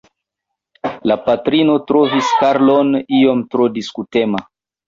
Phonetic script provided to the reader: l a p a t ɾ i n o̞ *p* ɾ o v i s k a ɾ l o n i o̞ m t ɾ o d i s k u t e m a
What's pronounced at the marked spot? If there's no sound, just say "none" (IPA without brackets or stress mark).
t